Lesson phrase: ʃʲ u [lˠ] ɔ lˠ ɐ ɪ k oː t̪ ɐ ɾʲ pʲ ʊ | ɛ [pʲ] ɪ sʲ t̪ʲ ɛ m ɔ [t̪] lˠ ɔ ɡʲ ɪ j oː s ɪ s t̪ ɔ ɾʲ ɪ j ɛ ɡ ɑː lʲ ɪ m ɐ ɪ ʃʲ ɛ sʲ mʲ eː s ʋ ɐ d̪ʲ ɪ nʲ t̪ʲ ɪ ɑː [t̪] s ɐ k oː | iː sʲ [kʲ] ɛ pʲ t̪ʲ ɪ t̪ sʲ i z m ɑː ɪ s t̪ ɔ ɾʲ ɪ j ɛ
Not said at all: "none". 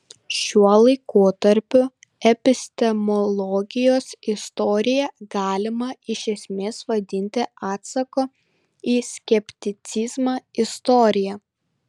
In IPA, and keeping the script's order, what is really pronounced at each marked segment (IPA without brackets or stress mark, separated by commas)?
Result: none, pʲ, none, t̪, kʲ